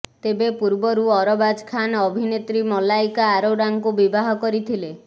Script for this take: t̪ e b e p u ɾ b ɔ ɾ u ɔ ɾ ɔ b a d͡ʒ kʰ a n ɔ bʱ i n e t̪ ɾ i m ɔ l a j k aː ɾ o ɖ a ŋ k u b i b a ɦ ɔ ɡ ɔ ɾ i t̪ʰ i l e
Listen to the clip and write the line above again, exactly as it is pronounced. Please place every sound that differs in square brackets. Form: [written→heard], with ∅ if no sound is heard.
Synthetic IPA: t̪ e b e p u ɾ b ɔ ɾ u ɔ ɾ ɔ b a d͡ʒ kʰ a n ɔ bʱ i n e t̪ ɾ i m ɔ l a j k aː ɾ o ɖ a ŋ k u b i b a ɦ ɔ [ɡ→k] ɔ ɾ i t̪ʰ i l e